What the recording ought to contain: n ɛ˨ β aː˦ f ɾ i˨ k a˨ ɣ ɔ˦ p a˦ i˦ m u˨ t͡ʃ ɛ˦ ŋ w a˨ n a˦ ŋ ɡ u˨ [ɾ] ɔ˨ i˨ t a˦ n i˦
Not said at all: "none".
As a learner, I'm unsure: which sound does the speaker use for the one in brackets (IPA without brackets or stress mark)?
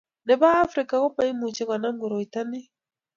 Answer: ɾ